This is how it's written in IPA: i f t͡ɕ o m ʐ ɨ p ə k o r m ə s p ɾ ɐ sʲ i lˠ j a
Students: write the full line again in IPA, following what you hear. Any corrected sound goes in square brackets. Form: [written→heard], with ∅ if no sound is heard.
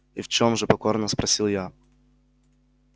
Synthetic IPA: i f t͡ɕ o m ʐ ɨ p [ə→ɐ] k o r [m→n] ə s p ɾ ɐ sʲ i lˠ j a

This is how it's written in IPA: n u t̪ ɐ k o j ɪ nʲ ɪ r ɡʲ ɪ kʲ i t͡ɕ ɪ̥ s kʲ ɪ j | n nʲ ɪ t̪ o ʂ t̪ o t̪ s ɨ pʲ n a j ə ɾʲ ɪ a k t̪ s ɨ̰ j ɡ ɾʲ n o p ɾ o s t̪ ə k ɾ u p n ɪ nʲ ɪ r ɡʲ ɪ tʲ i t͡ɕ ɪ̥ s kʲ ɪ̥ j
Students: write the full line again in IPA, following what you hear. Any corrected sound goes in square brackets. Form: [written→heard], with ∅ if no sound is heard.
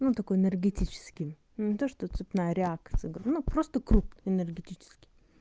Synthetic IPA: n u t̪ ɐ k o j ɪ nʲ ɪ r ɡʲ ɪ [kʲ→tʲ] i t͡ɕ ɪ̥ s kʲ ɪ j | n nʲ ɪ t̪ o ʂ t̪ o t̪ s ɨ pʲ n a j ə ɾʲ ɪ a k t̪ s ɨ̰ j ɡ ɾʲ n [o→u] p ɾ o s t̪ ə k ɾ u p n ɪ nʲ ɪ r ɡʲ ɪ tʲ i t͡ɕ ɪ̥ s kʲ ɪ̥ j

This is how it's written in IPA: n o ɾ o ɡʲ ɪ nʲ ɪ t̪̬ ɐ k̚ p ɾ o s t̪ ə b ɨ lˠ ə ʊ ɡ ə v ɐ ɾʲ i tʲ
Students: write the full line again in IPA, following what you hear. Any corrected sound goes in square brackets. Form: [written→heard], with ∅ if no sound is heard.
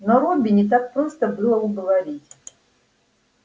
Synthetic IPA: n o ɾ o [ɡʲ→bʲ] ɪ nʲ ɪ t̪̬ [ɐ→a] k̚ p ɾ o s t̪ ə b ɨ lˠ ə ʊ ɡ ə v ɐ ɾʲ i tʲ

